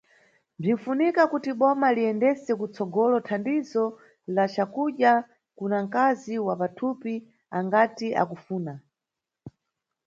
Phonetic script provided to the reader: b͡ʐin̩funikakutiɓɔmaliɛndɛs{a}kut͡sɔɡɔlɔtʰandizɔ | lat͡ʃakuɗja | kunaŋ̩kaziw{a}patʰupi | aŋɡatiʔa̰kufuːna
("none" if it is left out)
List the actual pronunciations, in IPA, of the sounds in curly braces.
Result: ɛ, a

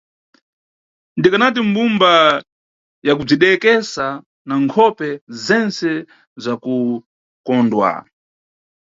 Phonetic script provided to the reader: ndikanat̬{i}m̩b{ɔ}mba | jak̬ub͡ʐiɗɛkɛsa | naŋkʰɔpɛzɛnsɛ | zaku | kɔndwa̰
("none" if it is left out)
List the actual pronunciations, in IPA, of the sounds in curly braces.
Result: i, u

